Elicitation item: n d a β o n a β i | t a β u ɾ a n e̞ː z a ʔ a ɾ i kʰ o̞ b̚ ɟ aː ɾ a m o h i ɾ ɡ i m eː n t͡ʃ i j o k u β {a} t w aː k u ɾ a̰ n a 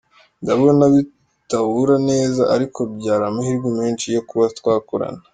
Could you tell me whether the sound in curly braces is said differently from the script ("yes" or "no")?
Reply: no